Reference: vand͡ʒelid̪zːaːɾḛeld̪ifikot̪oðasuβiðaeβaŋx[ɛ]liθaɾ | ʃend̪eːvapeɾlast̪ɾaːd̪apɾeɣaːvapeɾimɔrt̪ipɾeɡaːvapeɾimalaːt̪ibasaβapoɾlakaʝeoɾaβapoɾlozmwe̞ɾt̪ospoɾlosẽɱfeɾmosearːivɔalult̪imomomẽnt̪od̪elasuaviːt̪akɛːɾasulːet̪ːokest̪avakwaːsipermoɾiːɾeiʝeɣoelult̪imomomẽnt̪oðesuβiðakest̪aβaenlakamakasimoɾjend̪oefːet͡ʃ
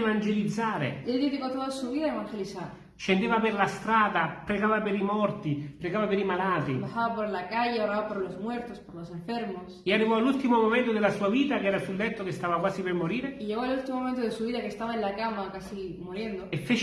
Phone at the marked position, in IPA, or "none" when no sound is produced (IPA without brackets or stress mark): e